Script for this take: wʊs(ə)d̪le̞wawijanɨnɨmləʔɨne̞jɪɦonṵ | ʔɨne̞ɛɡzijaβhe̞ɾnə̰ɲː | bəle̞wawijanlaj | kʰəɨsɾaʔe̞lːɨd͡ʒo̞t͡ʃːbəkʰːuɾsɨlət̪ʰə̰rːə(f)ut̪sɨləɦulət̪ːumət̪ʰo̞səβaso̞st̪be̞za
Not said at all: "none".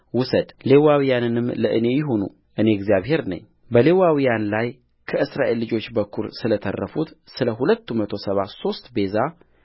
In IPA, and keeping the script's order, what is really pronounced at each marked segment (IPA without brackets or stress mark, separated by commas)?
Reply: ə, f